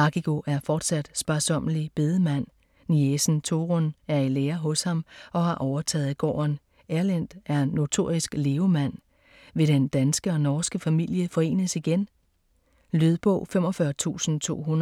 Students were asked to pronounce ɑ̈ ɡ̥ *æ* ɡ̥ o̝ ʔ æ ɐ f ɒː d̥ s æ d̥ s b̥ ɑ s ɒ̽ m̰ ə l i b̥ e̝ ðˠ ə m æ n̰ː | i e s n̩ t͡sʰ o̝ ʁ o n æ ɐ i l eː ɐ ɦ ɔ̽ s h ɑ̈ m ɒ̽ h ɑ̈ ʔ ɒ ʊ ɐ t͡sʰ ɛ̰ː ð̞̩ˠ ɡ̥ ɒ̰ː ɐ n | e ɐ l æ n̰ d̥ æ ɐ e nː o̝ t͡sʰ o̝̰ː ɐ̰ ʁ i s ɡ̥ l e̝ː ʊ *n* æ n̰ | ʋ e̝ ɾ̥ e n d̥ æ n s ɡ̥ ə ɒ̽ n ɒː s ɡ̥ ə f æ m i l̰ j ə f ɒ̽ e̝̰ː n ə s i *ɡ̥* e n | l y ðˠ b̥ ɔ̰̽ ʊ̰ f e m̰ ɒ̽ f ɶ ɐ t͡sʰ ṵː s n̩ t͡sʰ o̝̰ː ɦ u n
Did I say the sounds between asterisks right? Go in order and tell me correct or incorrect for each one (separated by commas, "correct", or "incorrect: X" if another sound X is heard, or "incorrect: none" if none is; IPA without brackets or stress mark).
incorrect: i, incorrect: m, correct